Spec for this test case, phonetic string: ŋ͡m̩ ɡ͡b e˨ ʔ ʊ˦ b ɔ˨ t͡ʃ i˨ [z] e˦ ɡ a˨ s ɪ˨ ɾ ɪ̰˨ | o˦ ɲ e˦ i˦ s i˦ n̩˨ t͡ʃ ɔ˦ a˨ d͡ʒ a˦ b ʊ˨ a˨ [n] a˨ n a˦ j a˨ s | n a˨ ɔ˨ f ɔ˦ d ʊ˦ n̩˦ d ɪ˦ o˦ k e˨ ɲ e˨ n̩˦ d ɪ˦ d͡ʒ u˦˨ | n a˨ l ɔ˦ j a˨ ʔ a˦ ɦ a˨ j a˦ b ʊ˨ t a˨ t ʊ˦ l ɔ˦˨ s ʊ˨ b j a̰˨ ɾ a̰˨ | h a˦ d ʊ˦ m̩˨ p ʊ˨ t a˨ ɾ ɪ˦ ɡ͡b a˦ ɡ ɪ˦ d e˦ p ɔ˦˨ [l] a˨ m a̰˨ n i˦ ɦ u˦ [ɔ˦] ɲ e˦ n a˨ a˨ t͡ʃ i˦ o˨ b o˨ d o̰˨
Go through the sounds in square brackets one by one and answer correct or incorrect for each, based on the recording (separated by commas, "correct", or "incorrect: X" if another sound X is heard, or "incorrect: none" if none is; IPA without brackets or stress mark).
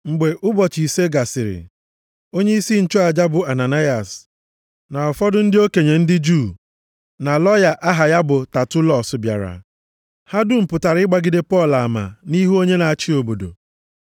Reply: incorrect: s, correct, correct, incorrect: o˦